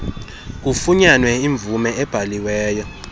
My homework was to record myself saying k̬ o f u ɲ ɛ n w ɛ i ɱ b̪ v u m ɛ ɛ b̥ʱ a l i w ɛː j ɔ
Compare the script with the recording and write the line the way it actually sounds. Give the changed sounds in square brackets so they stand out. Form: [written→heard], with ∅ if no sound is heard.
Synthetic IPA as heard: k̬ [o→u] f u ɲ [ɛ→a] n w ɛ i ɱ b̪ v u m ɛ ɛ b̥ʱ a l i w ɛː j ɔ